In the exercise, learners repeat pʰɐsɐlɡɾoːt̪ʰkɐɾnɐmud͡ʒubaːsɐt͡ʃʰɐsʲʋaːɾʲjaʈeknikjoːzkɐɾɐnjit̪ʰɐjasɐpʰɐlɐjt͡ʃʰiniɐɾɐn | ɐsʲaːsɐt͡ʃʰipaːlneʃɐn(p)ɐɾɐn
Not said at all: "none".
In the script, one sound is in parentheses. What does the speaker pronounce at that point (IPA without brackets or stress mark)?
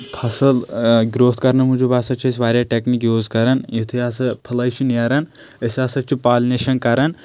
k